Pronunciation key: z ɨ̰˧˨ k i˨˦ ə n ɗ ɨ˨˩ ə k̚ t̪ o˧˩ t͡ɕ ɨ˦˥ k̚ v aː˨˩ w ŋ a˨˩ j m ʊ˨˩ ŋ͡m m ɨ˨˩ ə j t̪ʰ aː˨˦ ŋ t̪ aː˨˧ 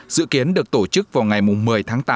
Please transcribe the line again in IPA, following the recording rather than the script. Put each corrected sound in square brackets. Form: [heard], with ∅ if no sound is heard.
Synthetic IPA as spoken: z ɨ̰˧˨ k i˨˦ ə n ɗ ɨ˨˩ ə k̚ t̪ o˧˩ t͡ɕ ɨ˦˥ k̚ v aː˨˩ w ŋ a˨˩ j m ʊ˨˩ ŋ͡m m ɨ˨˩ ə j t̪ʰ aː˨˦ ŋ t̪ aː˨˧